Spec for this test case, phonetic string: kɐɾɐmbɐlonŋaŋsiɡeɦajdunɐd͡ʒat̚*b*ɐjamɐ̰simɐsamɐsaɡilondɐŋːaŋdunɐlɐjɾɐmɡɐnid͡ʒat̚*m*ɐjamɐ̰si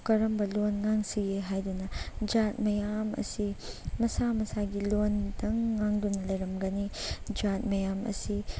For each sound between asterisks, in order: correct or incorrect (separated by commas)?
incorrect, correct